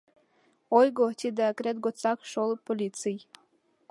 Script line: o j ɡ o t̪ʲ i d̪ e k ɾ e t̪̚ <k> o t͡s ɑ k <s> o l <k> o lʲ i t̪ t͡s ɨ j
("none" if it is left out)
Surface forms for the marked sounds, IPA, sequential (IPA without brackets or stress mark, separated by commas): ɡ, ʃ, p